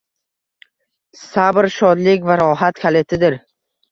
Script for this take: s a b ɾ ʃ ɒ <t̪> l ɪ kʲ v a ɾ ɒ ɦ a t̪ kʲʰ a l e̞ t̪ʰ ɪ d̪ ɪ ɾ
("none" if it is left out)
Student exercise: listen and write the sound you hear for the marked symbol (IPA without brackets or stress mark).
d̪